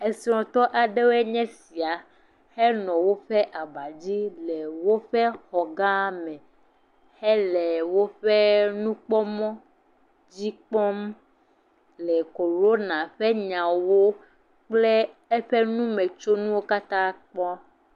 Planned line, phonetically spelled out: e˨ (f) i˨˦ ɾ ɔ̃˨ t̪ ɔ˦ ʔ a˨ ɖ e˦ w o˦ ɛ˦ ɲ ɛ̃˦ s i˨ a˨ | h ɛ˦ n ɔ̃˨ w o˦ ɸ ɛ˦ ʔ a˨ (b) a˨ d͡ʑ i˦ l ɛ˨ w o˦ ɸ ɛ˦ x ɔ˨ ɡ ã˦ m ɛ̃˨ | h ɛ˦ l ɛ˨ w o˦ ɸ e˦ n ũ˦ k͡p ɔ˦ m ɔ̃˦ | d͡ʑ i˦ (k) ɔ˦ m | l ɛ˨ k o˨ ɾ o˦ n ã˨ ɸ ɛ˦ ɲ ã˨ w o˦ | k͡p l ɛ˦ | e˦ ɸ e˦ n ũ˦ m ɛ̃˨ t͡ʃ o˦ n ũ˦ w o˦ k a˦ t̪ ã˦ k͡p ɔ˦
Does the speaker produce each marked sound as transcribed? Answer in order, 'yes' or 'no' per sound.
no, yes, no

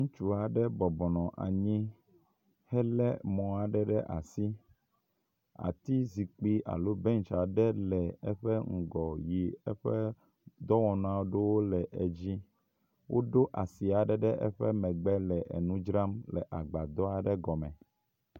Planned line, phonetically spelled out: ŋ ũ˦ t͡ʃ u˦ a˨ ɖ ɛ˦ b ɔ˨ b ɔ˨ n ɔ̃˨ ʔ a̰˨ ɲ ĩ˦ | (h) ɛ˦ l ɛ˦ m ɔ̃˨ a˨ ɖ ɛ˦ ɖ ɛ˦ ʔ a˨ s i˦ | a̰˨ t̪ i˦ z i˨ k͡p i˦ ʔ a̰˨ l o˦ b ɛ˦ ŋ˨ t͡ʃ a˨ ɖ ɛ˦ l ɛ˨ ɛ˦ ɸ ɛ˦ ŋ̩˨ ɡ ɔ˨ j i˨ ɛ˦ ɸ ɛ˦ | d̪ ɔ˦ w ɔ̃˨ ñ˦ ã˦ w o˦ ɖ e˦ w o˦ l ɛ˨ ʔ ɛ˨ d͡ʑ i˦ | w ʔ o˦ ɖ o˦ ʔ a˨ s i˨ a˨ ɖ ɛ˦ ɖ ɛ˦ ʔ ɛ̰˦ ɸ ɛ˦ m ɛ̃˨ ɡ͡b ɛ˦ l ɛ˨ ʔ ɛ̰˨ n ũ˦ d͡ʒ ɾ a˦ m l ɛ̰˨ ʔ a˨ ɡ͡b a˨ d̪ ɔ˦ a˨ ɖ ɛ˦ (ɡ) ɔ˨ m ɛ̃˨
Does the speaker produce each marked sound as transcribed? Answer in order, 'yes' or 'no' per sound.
yes, yes

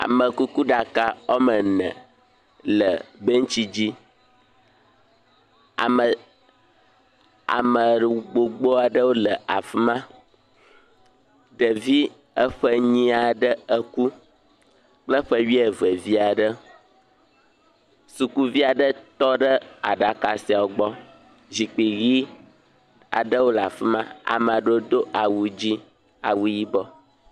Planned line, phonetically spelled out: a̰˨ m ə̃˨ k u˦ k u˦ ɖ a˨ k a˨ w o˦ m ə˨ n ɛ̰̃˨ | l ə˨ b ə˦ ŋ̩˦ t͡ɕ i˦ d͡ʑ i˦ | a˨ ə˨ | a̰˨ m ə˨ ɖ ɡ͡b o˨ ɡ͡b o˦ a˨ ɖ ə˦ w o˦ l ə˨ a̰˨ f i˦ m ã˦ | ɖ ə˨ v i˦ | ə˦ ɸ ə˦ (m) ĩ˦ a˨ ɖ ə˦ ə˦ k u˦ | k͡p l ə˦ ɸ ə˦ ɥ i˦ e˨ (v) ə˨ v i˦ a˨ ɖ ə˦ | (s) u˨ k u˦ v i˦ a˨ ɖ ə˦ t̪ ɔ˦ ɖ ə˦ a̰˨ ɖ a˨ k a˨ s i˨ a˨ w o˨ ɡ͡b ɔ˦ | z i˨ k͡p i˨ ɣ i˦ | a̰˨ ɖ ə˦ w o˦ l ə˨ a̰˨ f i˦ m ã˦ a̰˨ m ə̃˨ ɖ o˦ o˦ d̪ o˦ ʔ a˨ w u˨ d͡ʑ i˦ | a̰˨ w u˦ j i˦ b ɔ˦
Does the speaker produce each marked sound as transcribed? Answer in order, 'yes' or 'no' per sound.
no, yes, yes

